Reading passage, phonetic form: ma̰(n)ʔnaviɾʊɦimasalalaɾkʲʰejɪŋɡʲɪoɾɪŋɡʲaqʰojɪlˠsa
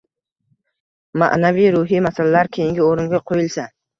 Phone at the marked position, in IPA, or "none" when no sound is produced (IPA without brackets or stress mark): none